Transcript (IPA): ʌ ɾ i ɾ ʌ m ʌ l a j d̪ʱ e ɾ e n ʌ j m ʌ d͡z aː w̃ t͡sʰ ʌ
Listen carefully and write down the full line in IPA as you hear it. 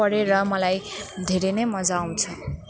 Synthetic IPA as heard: ʌ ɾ e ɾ ʌ m ʌ l a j d̪ʱ e ɾ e n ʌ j m ʌ d͡z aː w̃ t͡sʰ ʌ